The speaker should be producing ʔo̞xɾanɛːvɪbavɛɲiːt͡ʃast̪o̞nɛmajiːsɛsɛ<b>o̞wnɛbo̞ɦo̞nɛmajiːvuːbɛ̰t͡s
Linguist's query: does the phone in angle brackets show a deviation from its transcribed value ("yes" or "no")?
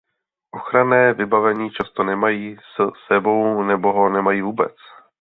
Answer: no